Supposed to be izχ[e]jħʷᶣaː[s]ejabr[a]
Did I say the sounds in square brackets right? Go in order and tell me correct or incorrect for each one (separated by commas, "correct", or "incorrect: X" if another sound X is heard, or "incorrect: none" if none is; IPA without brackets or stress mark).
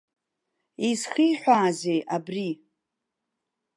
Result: incorrect: i, incorrect: z, incorrect: i